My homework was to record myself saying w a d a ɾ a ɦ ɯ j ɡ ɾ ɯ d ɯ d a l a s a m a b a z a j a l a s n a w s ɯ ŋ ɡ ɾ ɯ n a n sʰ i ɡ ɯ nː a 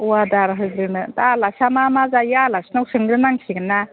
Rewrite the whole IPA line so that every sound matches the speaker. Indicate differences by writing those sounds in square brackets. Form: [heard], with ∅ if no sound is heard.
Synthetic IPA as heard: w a d a ɾ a ɦ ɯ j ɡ ɾ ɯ [n] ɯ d a l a s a m a [m] a z a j a l a s n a w s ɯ ŋ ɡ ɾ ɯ n a [ŋ] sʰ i ɡ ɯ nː a